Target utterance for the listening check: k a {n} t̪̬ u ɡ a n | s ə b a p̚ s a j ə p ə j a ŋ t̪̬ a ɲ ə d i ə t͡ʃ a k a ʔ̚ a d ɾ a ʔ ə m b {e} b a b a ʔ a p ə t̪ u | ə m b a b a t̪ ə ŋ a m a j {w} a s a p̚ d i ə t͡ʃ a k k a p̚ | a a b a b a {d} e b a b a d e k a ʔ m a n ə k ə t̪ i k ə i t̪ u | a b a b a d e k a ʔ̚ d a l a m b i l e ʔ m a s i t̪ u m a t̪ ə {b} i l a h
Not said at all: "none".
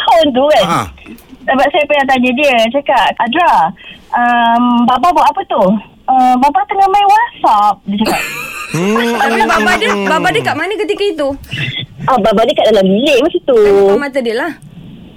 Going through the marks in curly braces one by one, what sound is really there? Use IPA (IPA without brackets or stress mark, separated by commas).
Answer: n, a, w, d, d